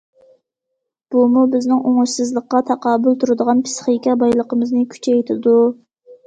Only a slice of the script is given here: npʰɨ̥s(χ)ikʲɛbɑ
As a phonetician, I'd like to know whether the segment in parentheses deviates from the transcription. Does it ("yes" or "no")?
no